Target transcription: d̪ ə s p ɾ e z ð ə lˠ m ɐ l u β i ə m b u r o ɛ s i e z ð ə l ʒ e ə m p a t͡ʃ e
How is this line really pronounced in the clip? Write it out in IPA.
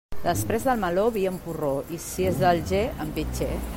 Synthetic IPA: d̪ ə s p ɾ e z ð ə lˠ m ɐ l o β i ə m p u r o i s i e z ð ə l ʒ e ə m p i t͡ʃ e